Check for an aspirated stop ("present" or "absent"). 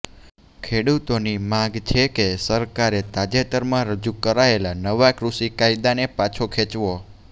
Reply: present